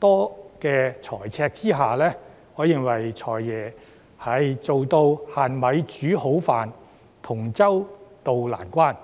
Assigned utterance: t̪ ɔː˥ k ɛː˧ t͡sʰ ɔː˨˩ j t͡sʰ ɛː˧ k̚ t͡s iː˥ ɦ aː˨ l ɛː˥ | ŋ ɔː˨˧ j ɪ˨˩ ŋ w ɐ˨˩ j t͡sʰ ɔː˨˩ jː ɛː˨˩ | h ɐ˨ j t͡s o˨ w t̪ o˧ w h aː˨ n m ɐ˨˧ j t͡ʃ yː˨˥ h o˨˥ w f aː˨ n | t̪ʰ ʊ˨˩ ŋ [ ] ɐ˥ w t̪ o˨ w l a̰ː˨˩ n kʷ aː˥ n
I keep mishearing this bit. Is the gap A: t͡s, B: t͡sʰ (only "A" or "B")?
A